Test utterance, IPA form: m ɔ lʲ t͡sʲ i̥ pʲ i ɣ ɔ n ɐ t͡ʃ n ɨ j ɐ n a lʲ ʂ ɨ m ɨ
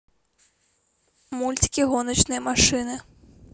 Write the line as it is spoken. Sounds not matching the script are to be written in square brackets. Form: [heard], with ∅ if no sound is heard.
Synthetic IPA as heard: m [u] lʲ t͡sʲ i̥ [kʲ] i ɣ ɔ n ɐ t͡ʃ n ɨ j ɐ [m] a [∅] ʂ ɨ [n] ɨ